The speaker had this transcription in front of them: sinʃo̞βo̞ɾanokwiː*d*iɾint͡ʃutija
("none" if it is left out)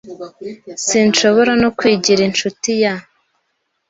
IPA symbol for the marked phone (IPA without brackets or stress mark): ɟ